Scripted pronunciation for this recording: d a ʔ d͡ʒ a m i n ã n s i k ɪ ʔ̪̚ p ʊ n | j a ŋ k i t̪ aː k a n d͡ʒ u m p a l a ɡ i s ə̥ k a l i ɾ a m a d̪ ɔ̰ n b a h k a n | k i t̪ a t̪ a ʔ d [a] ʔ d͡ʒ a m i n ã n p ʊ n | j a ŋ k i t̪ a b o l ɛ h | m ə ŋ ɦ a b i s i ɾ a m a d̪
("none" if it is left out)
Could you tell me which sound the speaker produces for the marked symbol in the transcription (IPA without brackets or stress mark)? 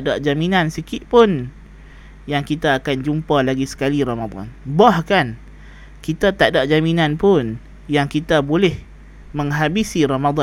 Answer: a